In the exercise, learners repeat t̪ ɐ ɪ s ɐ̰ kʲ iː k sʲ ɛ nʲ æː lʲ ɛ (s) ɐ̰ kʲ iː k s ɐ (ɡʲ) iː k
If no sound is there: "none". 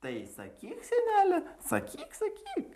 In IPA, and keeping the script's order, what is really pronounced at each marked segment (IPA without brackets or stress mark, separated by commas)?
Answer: s, kʲ